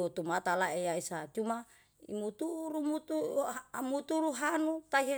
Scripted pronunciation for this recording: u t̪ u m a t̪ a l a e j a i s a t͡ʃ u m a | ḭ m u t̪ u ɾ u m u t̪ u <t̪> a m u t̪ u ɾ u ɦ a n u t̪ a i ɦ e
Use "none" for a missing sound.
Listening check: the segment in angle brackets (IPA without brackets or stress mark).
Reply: none